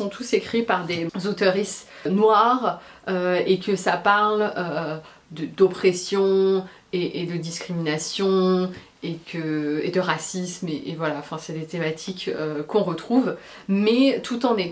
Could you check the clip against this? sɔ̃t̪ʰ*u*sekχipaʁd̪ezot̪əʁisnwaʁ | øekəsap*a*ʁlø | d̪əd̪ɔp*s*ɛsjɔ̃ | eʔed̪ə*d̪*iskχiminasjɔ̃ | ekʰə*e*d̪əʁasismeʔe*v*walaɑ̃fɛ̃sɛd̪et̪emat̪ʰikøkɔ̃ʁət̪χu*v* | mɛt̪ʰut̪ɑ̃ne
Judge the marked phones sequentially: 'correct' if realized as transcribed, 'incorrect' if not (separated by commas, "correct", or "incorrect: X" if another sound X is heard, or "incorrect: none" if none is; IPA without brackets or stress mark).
correct, correct, incorrect: χ, correct, correct, correct, correct